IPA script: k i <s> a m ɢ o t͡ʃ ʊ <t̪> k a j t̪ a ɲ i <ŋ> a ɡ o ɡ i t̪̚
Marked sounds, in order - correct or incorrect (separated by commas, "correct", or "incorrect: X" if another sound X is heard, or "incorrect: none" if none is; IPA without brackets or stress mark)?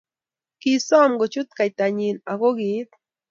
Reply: correct, correct, incorrect: n